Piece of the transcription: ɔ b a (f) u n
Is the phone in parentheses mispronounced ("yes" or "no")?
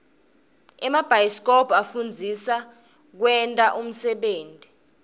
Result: no